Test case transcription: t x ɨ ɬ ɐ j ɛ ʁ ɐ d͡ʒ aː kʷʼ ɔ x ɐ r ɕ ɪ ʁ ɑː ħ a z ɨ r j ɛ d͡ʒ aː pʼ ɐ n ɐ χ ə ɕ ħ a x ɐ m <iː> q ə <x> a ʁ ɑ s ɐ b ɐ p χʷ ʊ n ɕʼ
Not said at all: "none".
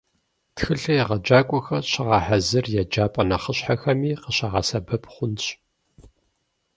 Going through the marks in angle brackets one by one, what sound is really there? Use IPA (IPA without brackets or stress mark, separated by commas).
iː, ɕ